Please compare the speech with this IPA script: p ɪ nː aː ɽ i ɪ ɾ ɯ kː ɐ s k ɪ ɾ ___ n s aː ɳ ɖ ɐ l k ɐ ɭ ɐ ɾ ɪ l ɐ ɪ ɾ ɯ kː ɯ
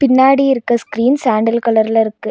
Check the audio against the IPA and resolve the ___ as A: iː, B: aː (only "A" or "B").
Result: A